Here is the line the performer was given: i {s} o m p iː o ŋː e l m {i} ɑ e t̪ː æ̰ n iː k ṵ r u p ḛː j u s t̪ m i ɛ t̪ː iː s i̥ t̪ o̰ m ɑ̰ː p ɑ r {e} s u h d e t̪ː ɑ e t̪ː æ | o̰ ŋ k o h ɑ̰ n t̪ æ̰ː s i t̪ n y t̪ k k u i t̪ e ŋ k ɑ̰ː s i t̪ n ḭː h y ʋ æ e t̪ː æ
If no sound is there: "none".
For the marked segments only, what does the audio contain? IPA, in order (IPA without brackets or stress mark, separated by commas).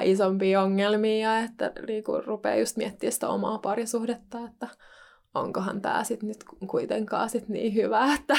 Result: s, iː, i